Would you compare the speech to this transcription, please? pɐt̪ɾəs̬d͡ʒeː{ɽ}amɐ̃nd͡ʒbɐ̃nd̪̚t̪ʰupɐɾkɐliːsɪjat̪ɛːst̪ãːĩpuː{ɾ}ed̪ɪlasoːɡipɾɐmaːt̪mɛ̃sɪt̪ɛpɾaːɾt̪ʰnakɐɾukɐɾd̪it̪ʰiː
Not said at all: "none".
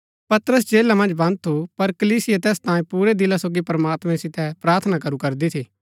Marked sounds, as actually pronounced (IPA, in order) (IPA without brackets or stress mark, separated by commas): l, ɾ